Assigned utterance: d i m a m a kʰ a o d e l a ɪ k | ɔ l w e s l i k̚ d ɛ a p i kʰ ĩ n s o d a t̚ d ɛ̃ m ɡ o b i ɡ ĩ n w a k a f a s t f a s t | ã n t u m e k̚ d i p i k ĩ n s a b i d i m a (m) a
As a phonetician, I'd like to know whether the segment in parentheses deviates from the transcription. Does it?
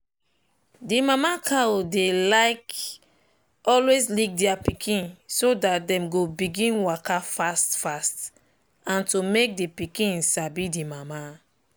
no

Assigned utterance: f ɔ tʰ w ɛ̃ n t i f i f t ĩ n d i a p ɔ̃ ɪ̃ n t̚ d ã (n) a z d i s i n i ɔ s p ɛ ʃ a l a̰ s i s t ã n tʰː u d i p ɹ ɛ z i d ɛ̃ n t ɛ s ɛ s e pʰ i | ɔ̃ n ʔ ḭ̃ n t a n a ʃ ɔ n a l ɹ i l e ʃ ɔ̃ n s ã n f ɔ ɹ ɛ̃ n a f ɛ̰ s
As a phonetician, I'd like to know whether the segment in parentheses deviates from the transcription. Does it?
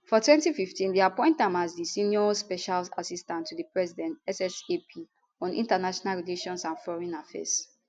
yes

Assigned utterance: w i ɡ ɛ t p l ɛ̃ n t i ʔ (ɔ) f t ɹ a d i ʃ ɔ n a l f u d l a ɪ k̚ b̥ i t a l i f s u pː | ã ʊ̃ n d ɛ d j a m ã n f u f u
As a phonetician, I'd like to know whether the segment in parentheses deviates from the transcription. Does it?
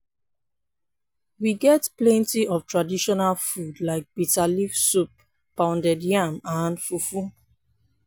no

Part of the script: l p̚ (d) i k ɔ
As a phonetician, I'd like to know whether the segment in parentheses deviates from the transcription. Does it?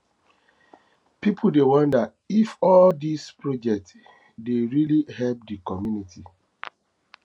no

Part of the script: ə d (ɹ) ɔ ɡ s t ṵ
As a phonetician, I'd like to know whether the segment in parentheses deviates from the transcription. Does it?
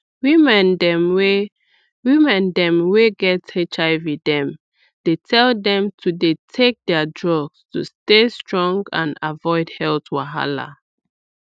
no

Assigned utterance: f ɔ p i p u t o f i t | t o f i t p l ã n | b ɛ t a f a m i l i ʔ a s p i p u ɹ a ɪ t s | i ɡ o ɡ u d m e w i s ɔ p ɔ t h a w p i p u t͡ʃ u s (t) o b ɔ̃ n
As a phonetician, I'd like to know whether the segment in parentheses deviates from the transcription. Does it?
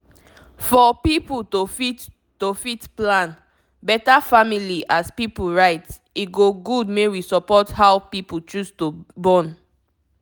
no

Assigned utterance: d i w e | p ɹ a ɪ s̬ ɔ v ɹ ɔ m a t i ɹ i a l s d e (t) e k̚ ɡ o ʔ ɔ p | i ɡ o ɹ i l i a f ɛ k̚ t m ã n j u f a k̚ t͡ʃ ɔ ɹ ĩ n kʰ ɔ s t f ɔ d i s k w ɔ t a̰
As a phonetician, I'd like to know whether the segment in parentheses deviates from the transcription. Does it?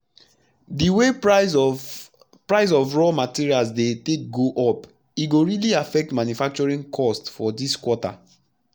no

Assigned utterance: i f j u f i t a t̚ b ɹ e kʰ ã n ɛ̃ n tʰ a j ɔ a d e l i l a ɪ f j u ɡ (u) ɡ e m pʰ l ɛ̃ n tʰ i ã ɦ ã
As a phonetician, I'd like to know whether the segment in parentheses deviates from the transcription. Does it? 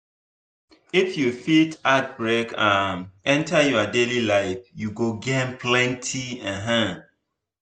yes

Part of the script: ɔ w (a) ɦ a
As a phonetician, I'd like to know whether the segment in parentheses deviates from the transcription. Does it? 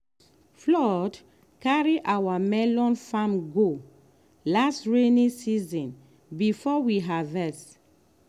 yes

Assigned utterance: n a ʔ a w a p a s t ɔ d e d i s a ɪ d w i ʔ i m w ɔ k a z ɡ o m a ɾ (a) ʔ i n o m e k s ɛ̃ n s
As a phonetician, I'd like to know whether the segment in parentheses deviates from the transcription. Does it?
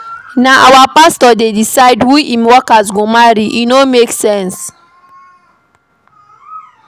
yes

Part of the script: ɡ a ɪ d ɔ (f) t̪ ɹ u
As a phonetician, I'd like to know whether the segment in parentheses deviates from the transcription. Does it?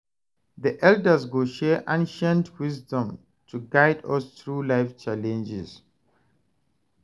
yes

